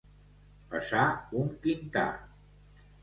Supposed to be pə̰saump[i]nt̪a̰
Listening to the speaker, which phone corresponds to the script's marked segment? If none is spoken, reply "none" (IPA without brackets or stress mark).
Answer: i